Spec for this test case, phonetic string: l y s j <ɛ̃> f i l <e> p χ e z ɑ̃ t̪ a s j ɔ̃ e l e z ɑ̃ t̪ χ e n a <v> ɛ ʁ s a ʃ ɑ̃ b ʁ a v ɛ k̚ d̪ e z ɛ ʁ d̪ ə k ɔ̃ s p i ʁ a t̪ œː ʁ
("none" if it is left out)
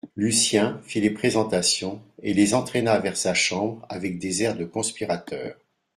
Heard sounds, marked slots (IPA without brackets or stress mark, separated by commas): ɛ̃, e, v